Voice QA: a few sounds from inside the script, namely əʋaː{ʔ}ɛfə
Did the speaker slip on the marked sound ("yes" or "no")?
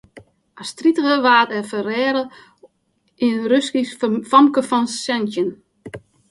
yes